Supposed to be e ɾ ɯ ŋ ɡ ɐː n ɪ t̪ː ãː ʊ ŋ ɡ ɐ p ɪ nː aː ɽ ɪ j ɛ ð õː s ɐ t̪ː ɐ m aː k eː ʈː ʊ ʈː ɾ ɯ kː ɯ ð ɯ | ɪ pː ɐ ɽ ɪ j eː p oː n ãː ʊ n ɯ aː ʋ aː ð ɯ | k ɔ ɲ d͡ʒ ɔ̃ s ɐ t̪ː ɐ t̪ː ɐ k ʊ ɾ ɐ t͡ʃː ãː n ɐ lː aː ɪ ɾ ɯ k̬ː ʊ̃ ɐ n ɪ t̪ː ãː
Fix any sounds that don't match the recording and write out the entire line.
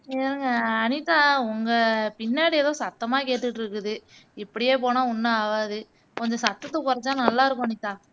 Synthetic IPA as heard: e ɾ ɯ ŋ ɡ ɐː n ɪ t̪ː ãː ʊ ŋ ɡ ɐ p ɪ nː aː ɽ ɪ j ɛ ð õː s ɐ t̪ː ɐ m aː k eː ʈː ɯ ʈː ɾ ɯ kː ɯ ð ɯ | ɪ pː ɐ ɽ ɪ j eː p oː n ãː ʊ nː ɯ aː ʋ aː ð ɯ | k ɔ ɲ d͡ʒ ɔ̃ s ɐ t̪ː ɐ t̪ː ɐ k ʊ ɾ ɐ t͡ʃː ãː n ɐ lː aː ɪ ɾ ɯ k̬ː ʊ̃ ɐ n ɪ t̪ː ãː